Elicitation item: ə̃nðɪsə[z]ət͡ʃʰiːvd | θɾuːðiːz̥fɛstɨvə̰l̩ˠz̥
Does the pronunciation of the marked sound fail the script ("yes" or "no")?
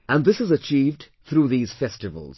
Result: no